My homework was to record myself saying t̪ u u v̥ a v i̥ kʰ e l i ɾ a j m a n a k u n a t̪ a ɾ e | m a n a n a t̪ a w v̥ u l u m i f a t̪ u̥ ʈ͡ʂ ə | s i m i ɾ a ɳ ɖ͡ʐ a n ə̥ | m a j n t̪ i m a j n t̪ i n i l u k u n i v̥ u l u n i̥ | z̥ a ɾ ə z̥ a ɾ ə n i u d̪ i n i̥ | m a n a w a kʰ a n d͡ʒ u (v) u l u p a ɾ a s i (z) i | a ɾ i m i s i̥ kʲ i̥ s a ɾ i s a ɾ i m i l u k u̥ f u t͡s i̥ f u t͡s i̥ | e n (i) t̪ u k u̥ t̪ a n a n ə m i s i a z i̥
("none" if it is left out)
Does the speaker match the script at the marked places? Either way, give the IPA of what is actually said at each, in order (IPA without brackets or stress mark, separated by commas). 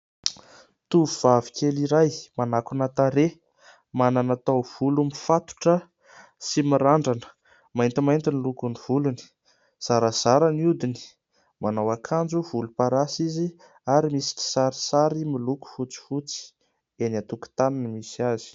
v, z, a